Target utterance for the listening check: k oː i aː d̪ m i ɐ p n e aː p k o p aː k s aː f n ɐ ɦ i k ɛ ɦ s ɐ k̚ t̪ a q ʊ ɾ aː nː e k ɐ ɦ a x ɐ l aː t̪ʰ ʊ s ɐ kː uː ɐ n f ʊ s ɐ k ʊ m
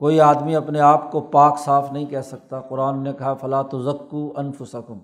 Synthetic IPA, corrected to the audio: k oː i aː d̪ m i ɐ p n e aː p k o p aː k s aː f n ɐ ɦ ĩ k ɛ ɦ s ɐ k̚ t̪ a q ʊ ɾ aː nː e k ɐ ɦ a f ɐ l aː t̪ ʊ z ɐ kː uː ɐ n f ʊ s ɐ k ʊ m